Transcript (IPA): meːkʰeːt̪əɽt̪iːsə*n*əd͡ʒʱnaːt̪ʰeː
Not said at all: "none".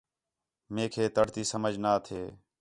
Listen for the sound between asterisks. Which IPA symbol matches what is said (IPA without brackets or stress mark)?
m